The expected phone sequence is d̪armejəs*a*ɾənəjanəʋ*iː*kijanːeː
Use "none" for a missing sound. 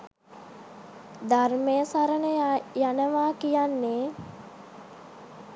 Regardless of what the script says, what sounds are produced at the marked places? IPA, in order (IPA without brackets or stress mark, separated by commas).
a, aː